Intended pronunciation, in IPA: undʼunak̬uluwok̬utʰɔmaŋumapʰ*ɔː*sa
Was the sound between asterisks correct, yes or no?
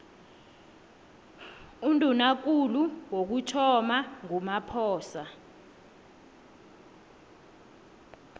yes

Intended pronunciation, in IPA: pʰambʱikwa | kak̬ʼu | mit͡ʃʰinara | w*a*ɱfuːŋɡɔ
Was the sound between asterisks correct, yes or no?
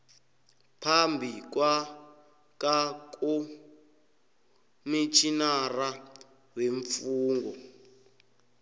no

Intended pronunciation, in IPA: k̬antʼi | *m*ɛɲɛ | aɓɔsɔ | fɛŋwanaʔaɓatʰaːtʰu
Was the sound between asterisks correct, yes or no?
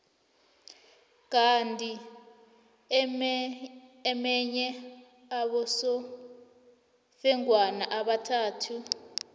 yes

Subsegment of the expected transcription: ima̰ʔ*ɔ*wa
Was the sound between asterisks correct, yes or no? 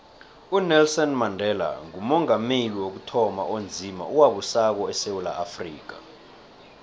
no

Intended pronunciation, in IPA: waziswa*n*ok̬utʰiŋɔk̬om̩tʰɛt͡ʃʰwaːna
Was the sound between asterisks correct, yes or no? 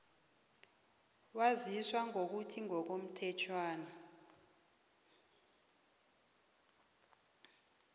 no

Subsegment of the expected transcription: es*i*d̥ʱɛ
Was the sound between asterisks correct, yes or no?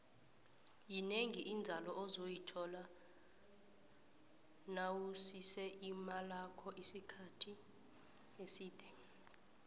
no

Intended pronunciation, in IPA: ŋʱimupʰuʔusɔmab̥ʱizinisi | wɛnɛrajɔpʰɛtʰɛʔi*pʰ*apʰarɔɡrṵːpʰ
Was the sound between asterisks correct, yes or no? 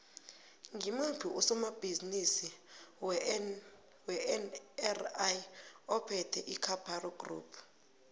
no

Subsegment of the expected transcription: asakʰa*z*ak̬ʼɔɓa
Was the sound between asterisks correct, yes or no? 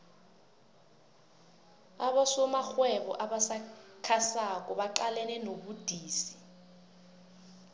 no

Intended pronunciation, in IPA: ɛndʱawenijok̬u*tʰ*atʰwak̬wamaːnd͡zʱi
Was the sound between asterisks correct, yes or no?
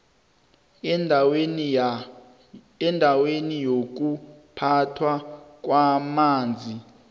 no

